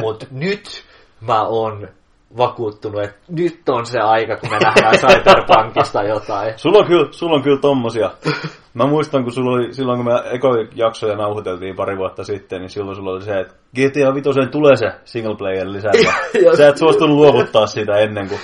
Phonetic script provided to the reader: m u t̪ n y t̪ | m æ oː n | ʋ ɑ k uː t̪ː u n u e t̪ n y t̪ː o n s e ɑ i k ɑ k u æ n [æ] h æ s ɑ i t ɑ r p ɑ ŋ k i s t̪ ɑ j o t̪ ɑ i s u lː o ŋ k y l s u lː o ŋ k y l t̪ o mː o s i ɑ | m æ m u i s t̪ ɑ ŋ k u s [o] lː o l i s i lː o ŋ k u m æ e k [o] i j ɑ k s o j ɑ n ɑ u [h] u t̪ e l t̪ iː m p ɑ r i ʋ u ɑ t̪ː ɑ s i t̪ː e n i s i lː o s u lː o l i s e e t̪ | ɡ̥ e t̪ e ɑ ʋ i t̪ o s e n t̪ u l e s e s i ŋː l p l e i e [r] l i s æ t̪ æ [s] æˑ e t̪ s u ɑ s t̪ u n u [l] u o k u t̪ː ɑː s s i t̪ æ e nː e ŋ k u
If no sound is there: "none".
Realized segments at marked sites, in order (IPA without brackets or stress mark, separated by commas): æ, u, o, h, r, s, l